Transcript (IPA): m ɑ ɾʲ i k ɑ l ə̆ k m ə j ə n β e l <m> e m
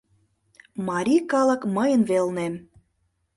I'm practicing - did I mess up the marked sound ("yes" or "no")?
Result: yes